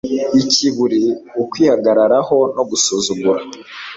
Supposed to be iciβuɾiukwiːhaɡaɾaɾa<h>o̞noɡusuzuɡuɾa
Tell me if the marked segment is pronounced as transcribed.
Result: yes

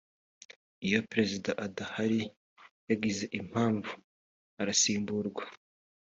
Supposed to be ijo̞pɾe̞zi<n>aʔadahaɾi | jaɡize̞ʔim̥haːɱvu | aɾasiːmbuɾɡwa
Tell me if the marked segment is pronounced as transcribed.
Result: no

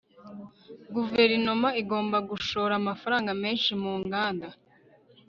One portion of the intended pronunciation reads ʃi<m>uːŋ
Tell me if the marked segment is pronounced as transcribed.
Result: yes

